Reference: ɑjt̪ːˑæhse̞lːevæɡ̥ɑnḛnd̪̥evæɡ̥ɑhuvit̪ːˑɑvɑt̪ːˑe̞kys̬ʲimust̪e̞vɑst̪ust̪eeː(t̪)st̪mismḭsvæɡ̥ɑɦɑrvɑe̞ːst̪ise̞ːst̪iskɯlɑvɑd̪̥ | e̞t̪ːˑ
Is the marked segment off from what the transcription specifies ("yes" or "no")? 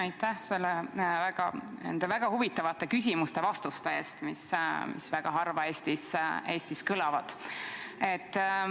yes